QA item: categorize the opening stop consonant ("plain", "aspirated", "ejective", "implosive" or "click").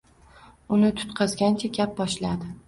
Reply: aspirated